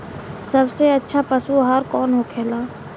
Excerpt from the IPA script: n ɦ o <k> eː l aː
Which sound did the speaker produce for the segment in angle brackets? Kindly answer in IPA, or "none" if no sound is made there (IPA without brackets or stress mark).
kʰ